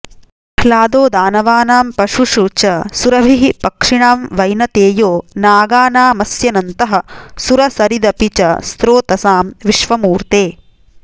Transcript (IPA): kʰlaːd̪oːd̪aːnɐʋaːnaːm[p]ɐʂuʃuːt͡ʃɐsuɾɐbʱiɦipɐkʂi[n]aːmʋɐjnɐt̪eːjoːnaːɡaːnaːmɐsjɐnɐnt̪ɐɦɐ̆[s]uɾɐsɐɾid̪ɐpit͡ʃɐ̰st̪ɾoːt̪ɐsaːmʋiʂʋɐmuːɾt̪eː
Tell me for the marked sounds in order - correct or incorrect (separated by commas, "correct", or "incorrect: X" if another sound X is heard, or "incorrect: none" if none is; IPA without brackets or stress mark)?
correct, incorrect: ɳ, correct